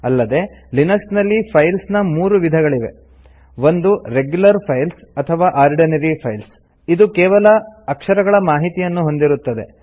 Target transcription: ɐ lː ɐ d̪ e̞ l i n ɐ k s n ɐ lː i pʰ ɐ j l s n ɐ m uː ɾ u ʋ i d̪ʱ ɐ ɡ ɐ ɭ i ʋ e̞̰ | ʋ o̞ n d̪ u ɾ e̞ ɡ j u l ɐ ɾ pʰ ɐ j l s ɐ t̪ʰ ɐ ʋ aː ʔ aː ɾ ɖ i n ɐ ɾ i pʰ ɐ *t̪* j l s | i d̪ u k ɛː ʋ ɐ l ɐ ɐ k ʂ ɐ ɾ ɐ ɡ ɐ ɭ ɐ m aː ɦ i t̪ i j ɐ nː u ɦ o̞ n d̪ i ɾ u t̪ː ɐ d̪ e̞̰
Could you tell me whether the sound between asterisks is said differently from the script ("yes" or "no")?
yes